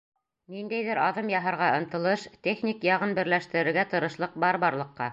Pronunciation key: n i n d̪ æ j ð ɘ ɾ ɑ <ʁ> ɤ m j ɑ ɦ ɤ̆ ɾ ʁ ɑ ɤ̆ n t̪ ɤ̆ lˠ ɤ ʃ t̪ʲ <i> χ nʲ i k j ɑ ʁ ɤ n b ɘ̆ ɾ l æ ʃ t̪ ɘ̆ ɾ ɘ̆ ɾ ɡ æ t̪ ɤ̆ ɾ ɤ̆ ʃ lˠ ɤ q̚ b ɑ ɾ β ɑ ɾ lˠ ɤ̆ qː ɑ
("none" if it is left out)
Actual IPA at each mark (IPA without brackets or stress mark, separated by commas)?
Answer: ð, e